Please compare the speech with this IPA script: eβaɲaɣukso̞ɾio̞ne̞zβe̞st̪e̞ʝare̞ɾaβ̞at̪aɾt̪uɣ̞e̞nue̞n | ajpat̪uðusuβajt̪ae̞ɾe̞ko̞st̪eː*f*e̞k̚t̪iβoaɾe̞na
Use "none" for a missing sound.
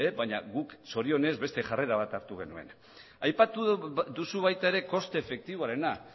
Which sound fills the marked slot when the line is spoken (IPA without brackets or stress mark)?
f